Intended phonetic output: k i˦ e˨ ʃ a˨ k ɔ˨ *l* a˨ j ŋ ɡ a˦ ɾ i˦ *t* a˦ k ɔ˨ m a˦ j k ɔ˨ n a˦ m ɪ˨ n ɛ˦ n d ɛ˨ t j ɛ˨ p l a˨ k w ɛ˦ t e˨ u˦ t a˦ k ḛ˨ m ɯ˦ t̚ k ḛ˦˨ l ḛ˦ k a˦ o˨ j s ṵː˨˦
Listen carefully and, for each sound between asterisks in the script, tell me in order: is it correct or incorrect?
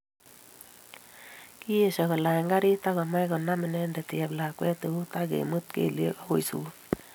correct, correct

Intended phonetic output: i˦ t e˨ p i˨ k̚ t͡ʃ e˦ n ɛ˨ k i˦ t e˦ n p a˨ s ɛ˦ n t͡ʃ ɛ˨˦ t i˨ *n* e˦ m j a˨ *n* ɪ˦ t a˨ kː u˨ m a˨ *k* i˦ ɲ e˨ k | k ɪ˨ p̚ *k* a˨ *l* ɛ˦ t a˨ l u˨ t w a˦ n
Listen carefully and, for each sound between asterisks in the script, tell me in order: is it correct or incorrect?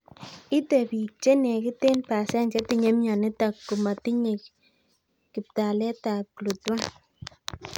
incorrect, correct, incorrect, incorrect, correct

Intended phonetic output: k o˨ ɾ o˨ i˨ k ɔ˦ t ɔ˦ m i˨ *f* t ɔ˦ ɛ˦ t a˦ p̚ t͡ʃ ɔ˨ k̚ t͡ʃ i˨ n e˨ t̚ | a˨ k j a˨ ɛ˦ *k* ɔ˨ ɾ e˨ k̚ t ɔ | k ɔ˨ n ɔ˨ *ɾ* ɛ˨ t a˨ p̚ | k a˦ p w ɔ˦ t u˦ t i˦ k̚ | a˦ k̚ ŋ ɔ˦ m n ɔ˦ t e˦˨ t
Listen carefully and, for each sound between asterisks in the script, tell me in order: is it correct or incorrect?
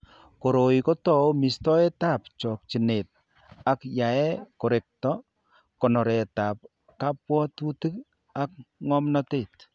incorrect, correct, correct

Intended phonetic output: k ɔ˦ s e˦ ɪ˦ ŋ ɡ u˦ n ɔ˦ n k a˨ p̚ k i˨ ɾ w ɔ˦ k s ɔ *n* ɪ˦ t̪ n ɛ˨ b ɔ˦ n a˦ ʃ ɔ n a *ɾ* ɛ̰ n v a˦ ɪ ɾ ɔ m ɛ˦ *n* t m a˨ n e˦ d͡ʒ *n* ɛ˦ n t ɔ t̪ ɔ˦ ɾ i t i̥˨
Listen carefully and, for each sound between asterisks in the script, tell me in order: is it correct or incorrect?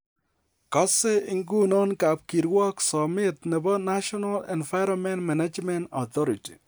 incorrect, incorrect, correct, incorrect

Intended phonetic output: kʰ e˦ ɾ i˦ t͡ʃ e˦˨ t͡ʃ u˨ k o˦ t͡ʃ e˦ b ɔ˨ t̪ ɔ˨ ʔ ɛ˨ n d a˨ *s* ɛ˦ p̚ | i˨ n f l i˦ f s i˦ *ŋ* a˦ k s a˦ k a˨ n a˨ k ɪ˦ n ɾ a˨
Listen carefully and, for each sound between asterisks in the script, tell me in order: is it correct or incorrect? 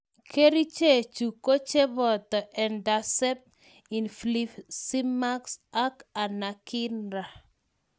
correct, incorrect

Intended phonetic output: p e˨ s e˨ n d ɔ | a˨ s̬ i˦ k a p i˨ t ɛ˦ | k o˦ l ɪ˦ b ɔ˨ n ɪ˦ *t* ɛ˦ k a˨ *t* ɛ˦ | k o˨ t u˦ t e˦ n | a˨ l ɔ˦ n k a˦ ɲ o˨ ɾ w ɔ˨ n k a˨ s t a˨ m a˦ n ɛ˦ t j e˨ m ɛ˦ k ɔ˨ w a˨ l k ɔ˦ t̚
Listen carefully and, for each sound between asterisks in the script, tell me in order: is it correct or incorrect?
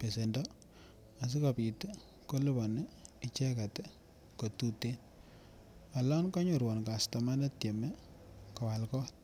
incorrect, correct

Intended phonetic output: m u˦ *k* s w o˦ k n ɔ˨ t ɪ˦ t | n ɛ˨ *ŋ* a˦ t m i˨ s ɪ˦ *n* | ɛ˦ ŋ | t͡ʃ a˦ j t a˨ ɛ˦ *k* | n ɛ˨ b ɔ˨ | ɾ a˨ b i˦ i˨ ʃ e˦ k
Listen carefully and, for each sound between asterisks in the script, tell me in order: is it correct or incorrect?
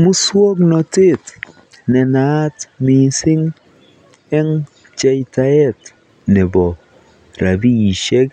incorrect, incorrect, incorrect, incorrect

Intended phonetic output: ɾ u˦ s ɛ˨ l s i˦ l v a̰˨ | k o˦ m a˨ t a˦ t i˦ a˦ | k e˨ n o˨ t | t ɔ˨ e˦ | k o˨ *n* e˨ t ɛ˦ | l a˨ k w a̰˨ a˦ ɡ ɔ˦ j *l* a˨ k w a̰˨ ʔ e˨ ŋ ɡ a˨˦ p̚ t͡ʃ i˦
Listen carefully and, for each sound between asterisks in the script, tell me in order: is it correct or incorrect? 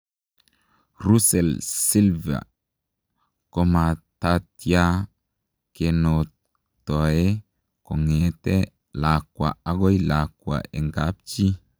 incorrect, correct

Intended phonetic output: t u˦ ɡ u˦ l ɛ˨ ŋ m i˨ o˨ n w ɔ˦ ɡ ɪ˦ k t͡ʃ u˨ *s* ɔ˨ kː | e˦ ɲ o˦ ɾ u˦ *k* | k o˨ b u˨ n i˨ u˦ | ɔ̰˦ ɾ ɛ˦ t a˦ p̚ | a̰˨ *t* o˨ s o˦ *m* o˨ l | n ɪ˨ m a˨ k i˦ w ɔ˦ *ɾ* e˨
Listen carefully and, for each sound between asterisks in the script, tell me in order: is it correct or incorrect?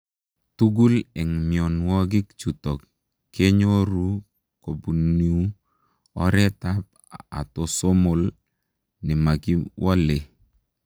incorrect, incorrect, correct, correct, incorrect

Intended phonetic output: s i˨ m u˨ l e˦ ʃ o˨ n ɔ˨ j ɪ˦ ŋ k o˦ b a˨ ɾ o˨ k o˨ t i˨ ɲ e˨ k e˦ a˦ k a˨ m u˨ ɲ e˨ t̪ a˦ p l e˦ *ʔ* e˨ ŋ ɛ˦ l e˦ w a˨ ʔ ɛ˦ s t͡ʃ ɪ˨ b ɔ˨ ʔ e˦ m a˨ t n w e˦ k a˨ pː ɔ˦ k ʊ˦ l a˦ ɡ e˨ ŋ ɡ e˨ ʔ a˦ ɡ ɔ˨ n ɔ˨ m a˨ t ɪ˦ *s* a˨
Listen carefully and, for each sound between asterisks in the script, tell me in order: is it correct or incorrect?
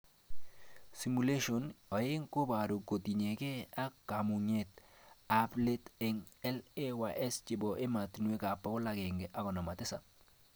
incorrect, correct

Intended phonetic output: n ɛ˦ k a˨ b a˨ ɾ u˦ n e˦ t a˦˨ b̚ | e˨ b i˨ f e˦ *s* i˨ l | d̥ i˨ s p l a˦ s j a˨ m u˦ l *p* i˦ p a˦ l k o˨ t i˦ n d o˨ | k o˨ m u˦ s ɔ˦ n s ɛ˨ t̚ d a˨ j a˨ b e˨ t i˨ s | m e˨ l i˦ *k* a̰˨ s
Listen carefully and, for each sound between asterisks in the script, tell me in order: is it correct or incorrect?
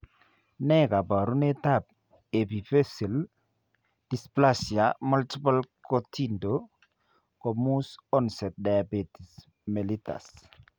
correct, incorrect, incorrect

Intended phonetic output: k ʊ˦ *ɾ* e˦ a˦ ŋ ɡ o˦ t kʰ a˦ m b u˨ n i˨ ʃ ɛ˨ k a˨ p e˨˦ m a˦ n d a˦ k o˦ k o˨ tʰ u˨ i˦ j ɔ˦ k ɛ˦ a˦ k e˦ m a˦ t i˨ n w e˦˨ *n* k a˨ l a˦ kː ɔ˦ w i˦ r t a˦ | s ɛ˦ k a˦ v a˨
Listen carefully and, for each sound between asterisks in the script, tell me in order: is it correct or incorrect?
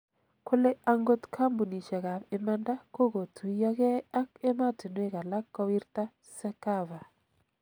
incorrect, incorrect

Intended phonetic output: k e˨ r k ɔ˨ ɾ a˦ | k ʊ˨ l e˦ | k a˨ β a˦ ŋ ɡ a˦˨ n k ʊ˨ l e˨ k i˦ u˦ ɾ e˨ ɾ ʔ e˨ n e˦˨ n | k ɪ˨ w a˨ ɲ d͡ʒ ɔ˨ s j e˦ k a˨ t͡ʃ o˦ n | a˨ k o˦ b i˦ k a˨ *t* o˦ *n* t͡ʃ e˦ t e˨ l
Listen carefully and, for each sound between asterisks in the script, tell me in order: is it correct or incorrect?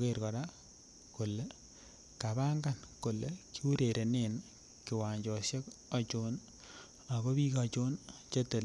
incorrect, correct

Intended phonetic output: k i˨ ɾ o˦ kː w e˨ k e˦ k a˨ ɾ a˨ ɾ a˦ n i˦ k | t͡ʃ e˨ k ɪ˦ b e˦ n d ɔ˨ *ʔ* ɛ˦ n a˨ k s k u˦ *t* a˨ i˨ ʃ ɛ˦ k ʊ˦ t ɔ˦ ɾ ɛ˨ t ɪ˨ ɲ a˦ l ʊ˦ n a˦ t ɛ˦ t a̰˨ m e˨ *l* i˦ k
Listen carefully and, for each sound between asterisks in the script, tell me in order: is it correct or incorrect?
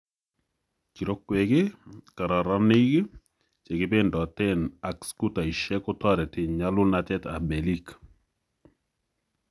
incorrect, correct, correct

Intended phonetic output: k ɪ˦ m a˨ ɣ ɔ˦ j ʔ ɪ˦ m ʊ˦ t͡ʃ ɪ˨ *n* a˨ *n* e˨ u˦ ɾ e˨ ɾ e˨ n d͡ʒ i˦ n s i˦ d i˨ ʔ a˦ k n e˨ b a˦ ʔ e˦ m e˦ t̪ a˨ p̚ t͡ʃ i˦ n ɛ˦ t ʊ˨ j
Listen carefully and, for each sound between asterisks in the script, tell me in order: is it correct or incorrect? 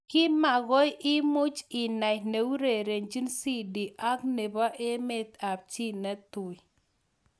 correct, correct

